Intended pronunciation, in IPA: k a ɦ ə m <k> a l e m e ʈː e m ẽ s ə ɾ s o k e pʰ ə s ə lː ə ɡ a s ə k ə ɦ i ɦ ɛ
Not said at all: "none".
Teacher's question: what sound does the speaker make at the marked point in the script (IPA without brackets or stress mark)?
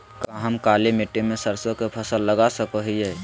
k